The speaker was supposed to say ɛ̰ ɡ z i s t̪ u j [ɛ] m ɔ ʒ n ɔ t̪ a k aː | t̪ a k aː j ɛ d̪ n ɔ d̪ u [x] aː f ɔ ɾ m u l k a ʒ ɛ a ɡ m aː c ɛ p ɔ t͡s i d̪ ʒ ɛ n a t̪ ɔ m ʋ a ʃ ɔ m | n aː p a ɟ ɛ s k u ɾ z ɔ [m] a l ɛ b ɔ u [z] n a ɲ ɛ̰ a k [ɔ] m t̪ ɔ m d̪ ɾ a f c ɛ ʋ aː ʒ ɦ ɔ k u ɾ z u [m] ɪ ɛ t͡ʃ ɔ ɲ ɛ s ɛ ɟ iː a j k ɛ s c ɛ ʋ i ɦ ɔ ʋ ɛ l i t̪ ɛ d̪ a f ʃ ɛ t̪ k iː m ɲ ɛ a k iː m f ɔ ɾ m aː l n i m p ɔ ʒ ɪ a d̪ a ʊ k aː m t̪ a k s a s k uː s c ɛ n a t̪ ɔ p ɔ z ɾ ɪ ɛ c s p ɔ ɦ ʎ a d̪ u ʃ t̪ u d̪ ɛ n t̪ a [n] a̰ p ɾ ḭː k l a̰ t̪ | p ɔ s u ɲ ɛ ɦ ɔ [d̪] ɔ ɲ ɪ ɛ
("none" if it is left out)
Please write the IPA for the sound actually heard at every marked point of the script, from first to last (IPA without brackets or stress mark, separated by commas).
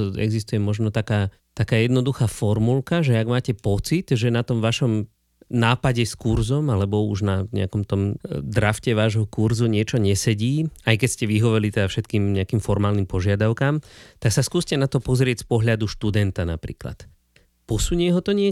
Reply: ɛ, x, m, ʒ, ɔ, ɲ, n, t̪